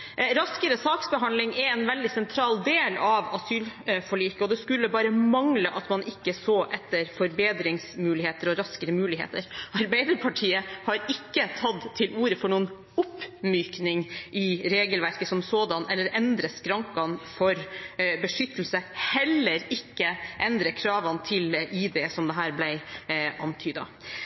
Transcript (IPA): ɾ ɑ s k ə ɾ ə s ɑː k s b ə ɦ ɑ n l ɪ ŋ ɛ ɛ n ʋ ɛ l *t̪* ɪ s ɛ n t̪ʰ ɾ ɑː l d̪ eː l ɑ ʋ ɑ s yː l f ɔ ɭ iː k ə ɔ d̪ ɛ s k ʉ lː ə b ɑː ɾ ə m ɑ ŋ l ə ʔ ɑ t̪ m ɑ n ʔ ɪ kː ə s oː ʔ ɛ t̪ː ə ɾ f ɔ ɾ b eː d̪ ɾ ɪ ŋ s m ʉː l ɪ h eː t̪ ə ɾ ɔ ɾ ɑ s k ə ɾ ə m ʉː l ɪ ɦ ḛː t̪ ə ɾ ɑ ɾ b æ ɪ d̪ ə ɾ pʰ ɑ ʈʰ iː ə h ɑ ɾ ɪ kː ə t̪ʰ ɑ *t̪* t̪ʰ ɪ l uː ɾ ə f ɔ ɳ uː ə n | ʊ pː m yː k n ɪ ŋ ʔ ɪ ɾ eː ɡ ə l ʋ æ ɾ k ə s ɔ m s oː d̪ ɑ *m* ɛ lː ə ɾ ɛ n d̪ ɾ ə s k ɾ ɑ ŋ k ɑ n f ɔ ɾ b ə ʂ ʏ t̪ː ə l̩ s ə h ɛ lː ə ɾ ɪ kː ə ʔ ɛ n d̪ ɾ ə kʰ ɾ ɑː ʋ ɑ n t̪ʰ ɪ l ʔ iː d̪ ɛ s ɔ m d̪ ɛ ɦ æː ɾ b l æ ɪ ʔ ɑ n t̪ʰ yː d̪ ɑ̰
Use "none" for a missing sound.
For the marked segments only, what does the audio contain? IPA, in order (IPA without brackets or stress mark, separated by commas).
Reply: d̪, d̪, n